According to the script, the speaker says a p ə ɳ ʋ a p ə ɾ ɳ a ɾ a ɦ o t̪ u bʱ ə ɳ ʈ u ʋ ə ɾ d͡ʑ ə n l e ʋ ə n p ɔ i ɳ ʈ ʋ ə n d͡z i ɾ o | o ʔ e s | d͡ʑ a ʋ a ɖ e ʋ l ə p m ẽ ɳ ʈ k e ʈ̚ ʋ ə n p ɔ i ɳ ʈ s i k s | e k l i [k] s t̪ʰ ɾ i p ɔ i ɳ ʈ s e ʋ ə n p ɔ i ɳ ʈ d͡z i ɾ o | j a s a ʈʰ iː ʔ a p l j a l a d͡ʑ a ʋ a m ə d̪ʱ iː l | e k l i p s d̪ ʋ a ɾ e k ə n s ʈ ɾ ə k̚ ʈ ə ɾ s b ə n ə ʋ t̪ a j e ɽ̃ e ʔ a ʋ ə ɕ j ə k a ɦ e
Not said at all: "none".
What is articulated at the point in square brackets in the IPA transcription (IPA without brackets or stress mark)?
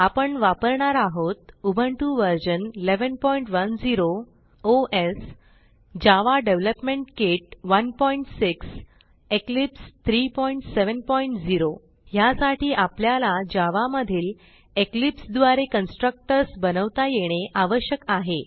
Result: p